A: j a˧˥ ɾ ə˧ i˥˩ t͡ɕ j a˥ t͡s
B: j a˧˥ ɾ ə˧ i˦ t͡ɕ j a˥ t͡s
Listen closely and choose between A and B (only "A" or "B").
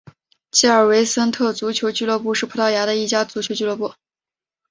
A